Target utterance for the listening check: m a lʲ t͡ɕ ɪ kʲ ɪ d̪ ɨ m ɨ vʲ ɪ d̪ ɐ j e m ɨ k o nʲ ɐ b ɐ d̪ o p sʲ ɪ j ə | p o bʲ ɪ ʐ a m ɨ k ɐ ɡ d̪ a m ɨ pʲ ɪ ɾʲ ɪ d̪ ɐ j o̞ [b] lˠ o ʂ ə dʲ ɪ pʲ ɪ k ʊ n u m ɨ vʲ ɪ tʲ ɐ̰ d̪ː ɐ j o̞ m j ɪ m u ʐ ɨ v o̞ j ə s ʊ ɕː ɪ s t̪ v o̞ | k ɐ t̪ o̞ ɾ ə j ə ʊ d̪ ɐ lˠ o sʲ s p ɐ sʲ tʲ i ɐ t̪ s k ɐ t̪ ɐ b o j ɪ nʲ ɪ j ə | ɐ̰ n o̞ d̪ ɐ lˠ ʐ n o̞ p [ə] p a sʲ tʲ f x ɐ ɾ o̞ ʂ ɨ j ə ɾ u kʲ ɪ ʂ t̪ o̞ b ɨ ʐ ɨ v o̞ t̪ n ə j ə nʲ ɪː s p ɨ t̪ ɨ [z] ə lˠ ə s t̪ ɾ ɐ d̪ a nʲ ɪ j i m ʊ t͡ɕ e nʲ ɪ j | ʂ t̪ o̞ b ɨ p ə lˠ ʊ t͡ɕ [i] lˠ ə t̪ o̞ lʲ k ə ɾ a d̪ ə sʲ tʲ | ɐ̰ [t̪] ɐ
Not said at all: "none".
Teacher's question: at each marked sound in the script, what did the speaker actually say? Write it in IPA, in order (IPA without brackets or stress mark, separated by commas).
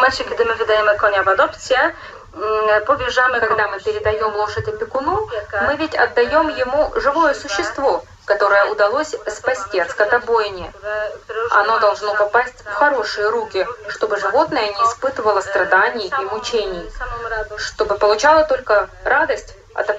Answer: m, ɐ, v, a, t̪